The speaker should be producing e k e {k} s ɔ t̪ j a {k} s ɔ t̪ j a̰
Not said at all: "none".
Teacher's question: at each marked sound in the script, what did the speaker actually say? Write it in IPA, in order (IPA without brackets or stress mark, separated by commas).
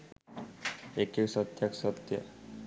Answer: k, k